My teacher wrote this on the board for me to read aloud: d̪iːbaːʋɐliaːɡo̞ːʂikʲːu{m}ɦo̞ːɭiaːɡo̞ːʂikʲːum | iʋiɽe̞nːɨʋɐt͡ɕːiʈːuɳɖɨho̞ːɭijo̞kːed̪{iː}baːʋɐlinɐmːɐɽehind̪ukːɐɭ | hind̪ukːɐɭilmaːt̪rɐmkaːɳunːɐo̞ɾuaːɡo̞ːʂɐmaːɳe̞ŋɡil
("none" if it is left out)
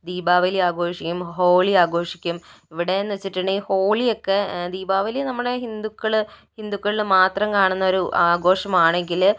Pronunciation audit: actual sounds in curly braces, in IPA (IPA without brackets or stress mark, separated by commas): m, iː